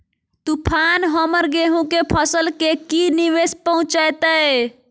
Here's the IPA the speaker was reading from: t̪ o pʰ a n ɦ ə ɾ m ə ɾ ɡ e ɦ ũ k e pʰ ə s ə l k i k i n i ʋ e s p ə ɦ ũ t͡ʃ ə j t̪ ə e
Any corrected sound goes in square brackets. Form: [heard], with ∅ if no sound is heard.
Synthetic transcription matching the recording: t̪ [u] pʰ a n ɦ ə [∅] m ə ɾ ɡ e ɦ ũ k e pʰ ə s ə l k [e] k i n i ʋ e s p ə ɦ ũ t͡ʃ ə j t̪ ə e